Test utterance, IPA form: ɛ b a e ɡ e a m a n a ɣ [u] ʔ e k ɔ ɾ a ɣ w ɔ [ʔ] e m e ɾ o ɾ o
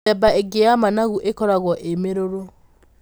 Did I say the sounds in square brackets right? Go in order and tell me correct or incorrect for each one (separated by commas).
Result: correct, correct